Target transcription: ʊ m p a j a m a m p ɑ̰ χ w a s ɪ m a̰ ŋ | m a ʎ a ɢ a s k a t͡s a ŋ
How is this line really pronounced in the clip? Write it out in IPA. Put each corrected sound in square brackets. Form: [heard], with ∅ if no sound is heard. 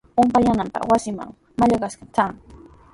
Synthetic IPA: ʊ m p a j a [n] a m p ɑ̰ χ w a s ɪ m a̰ ŋ | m a ʎ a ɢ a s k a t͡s a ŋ